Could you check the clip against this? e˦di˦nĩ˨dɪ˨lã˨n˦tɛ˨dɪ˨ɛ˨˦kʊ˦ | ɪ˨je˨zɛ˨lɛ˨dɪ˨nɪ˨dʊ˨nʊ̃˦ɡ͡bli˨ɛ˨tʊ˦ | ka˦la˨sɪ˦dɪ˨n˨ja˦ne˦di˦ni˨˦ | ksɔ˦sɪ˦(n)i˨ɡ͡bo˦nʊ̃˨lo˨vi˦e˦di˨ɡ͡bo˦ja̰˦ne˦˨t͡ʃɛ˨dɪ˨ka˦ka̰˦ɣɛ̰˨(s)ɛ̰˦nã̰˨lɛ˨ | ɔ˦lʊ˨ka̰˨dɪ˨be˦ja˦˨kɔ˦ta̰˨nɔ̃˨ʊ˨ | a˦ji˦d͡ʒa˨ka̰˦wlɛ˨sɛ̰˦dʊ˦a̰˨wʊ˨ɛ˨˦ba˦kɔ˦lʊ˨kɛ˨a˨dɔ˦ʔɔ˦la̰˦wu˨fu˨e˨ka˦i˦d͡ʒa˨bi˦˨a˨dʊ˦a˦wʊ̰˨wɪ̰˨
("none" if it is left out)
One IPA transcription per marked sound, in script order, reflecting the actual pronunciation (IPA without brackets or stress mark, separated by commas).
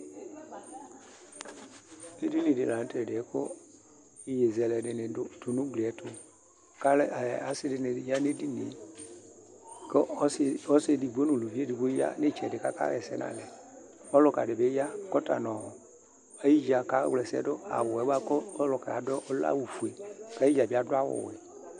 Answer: d, s